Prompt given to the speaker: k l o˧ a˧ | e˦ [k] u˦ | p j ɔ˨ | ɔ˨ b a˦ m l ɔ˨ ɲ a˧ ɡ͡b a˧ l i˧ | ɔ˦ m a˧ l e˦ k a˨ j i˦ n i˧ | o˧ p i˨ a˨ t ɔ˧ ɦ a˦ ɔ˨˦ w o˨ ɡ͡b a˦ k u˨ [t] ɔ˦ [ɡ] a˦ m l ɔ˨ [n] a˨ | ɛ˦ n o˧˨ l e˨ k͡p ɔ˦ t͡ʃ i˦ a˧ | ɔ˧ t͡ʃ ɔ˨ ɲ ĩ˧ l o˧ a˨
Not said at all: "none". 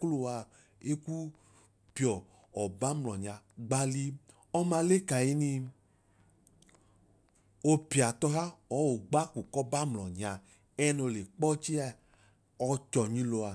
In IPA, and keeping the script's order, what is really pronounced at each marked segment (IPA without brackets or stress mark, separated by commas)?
k, k, b, ɲ